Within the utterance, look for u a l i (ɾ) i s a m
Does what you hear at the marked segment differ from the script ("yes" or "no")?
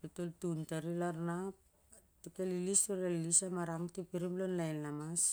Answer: yes